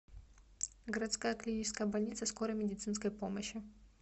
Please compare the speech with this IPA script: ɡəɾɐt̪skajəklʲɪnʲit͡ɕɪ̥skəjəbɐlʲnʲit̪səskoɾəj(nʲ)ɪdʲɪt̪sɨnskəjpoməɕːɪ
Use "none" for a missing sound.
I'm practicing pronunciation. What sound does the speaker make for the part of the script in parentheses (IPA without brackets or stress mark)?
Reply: mʲ